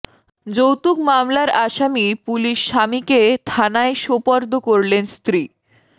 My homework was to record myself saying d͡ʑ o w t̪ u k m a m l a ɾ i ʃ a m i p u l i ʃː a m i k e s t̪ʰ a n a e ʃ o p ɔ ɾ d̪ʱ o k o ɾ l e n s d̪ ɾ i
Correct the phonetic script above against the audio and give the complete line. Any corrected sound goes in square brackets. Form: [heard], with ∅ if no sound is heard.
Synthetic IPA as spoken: d͡ʑ o w t̪ u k m a m l a ɾ [a] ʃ a m i p u l i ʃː a m i k e [∅] t̪ʰ a n a e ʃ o p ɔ ɾ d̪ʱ o k o ɾ l e n s [t̪] ɾ i